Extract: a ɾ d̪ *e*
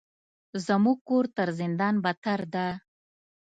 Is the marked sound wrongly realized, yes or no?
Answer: yes